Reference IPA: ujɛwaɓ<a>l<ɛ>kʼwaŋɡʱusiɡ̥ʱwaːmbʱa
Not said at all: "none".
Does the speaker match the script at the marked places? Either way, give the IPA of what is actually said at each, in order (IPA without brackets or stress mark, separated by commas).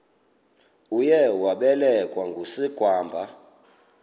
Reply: ɛ, ɛ